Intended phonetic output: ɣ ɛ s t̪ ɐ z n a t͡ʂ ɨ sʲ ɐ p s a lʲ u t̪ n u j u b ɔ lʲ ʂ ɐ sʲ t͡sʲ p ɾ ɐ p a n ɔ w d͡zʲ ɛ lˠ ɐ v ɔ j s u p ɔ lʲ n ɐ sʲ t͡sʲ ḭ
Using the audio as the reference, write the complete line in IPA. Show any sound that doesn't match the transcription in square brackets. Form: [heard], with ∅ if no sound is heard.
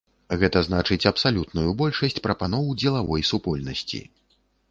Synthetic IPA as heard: ɣ ɛ [∅] t̪ ɐ z n a t͡ʂ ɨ [t͡sʲ] ɐ p s a lʲ u t̪ n u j u b ɔ lʲ ʂ ɐ sʲ t͡sʲ p ɾ ɐ p a n ɔ w d͡zʲ ɛ lˠ [a] v ɔ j s u p ɔ lʲ n ɐ sʲ t͡sʲ ḭ